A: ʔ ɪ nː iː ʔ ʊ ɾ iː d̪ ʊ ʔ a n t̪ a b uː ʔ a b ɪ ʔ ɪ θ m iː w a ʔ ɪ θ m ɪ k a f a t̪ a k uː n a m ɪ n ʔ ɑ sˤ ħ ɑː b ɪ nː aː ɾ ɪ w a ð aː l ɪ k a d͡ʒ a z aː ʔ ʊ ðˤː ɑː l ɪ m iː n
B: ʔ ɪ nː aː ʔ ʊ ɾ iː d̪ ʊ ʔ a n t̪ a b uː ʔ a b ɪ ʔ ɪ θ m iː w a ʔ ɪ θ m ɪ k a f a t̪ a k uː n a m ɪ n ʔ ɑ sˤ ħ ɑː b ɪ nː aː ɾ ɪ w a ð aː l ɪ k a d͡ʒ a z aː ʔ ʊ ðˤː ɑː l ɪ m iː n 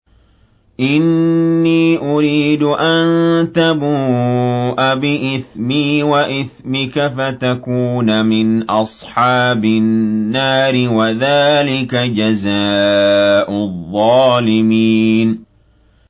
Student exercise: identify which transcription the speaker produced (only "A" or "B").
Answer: A